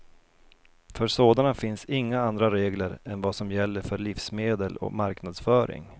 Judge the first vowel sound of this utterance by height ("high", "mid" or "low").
mid